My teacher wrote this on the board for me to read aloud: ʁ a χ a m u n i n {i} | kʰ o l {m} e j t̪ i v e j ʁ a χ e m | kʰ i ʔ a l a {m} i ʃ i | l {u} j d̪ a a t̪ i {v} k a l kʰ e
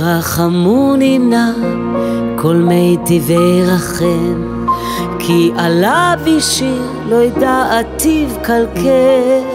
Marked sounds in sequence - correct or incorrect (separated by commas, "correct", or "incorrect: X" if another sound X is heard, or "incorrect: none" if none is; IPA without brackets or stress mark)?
incorrect: a, correct, incorrect: b, incorrect: o, correct